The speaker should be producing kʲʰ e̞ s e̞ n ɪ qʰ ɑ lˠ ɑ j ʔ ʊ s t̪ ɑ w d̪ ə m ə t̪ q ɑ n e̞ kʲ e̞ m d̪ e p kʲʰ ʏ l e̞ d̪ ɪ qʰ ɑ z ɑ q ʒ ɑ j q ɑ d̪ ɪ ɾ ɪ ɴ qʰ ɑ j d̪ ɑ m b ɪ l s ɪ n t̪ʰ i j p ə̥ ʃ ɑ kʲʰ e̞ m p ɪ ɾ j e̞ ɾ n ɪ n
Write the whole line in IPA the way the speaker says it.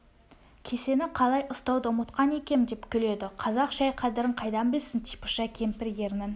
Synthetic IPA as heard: kʲʰ e̞ s e̞ n ɪ qʰ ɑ lˠ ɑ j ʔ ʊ s t̪ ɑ w d̪ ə m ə t̪ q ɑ n e̞ kʲ e̞ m d̪ e p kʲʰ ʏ l e̞ d̪ ɪ qʰ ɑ z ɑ q ʒ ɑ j qʰ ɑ d̪ ɪ ɾ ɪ ɴ qʰ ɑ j d̪ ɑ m b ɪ l s ɪ n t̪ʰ i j p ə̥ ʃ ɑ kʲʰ e̞ m p ɪ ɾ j e̞ ɾ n ɪ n